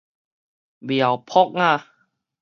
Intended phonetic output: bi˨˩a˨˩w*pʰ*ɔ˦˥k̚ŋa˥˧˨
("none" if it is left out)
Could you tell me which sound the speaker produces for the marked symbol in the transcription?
pʰ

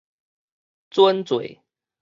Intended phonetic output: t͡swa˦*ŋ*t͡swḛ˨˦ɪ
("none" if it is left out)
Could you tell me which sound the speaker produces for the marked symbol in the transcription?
n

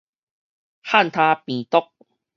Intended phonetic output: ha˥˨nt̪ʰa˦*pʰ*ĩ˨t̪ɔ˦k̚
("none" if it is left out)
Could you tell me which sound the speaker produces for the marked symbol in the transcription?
p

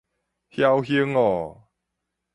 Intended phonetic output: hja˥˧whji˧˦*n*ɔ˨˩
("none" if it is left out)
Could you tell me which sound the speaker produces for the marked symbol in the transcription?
ŋ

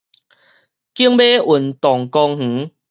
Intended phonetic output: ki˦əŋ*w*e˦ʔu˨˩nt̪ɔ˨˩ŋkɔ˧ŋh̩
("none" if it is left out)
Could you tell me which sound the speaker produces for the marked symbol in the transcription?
b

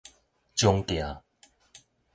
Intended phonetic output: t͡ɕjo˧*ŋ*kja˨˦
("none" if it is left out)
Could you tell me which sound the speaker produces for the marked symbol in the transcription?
ŋ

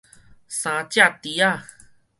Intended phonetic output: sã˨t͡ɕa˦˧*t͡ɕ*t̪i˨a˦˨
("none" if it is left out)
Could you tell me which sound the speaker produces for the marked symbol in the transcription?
none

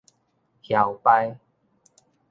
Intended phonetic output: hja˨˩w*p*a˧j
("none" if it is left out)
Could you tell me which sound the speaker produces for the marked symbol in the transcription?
p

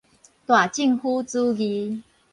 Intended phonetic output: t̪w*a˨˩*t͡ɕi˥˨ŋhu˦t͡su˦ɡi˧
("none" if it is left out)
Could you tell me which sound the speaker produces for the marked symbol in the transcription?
a˨˩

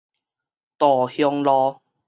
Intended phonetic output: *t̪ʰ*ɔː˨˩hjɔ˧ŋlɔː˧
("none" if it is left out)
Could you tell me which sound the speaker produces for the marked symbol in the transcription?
t̪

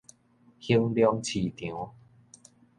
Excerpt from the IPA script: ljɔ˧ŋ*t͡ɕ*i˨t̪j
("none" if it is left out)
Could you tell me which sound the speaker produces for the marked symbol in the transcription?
t͡ɕʰ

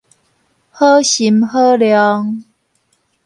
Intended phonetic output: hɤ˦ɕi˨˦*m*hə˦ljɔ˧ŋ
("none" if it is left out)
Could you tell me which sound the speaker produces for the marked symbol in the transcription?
m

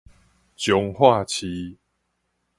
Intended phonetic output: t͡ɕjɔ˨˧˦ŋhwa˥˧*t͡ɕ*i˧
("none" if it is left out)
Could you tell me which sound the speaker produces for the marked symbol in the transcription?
t͡ɕʰ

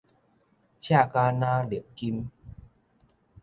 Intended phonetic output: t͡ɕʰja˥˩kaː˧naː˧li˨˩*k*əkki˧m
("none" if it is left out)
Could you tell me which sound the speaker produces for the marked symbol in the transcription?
none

